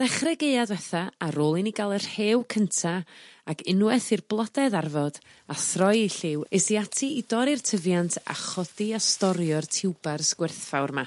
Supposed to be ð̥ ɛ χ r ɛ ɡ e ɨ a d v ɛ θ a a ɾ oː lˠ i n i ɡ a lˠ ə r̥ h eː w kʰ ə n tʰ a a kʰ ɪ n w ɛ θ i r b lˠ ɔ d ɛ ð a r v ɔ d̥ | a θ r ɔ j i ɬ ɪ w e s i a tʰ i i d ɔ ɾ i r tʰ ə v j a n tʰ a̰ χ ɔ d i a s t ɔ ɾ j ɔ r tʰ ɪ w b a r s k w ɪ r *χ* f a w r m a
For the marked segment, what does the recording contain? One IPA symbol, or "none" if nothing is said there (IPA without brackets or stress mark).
θ